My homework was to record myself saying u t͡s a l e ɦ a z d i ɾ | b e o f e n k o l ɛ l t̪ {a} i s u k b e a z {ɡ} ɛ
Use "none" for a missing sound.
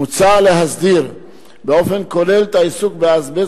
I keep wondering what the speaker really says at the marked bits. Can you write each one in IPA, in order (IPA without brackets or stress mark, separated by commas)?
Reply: a, b